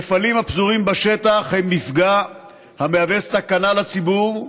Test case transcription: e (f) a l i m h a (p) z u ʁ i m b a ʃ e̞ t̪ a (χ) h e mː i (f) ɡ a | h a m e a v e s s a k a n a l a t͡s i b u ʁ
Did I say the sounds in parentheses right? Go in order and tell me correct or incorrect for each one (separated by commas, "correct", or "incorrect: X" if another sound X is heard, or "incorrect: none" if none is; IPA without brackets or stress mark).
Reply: correct, correct, correct, correct